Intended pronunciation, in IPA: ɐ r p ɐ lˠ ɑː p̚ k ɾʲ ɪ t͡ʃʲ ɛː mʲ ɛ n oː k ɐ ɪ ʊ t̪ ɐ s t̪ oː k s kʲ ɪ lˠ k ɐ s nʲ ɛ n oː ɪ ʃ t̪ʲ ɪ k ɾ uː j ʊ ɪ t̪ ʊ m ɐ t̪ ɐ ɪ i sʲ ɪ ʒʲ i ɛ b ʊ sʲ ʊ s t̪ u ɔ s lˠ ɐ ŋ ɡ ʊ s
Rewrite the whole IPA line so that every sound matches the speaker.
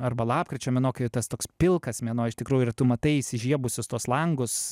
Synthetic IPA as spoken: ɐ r b ɐ lˠ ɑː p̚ k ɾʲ ɪ t͡ʃʲ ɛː mʲ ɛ n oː k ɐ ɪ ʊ t̪ ɐ s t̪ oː k s pʲ ɪ lˠ k ɐ s mʲ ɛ n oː ɪ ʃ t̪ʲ ɪ k ɾ uː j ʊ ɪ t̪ ʊ m ɐ t̪ ɐ ɪ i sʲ ɪ ʒʲ i ɛ b ʊ sʲ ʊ s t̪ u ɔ s lˠ ɐ ŋ ɡ ʊ s